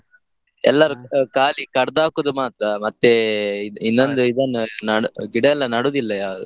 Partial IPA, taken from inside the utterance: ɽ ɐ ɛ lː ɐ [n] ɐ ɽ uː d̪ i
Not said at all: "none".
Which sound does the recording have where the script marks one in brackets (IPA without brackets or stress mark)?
n